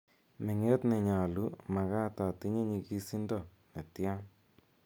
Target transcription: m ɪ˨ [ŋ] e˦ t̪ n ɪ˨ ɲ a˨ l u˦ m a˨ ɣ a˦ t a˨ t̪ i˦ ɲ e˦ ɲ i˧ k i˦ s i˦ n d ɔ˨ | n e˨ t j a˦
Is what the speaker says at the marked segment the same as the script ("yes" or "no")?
yes